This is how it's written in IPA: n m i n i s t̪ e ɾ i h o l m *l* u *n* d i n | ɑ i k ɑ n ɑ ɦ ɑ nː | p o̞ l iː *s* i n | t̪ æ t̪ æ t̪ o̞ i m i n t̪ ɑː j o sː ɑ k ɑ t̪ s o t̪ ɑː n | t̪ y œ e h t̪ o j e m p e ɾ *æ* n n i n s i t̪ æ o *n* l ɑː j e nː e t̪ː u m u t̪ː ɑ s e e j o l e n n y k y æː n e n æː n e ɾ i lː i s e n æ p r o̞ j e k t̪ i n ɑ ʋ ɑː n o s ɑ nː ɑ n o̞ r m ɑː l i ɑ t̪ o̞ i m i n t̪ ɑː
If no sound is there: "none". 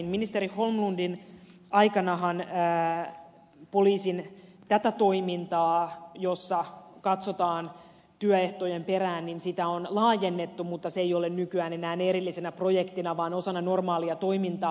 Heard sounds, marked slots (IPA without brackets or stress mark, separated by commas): l, n, s, æː, n